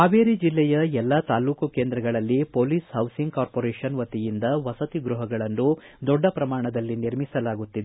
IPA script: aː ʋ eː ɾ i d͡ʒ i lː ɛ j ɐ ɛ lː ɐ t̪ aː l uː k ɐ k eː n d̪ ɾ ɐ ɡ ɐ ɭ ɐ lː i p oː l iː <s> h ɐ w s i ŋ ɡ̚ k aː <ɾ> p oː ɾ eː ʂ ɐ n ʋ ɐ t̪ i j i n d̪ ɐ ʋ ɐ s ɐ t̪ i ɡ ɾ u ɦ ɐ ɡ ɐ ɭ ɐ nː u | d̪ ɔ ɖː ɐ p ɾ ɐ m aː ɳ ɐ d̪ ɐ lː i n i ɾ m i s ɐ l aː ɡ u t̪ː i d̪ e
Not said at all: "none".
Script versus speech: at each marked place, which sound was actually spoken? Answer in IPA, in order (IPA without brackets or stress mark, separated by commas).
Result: s, ɾ